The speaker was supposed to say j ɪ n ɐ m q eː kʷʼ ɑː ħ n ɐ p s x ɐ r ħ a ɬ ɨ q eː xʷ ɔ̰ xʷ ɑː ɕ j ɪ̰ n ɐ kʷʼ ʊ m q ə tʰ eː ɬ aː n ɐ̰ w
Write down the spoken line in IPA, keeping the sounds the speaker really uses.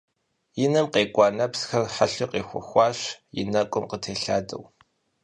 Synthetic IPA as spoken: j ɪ n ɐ m q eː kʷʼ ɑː n ɐ p s x ɐ r ħ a ɬ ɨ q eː xʷ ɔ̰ xʷ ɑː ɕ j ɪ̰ n ɐ kʷʼ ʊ m q ə tʰ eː ɬ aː d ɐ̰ w

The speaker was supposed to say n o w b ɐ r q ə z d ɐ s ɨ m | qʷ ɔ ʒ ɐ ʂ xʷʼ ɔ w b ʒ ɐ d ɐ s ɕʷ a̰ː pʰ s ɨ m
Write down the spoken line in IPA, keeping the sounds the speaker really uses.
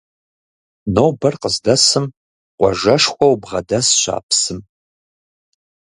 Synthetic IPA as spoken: n o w b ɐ r q ə z d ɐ s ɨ m | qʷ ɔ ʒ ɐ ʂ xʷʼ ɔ w b ʁ ɐ d ɐ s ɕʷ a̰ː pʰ s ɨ m

